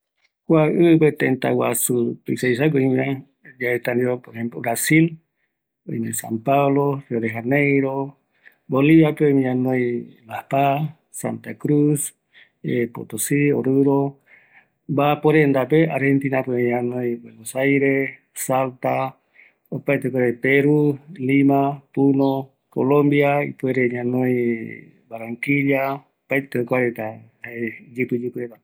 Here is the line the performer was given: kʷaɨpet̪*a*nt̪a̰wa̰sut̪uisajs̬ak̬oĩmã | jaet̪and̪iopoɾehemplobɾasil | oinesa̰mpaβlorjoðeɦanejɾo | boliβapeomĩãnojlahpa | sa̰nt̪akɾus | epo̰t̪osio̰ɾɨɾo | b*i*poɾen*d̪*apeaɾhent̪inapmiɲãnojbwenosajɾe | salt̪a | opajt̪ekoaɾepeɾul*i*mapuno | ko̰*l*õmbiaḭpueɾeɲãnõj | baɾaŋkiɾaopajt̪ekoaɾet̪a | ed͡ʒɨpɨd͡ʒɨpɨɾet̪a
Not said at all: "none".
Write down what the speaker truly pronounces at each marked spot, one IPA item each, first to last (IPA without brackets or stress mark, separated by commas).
e, a, d̪, i, l